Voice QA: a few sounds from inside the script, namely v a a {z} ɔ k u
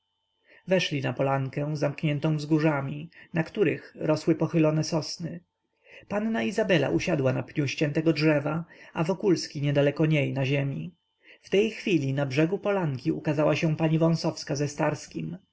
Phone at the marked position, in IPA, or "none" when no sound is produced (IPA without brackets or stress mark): v